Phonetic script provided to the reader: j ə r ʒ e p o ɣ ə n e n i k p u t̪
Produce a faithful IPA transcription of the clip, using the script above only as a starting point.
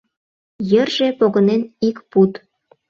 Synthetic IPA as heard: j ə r ʒ e p o ɣ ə n e n i k p u t̪